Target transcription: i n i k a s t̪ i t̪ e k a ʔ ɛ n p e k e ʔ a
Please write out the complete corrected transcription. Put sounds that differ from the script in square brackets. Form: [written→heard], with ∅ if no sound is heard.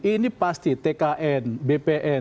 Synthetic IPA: i n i [k→p] a s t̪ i t̪ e k a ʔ ɛ n [p→b] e [k→p] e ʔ [a→ɛ]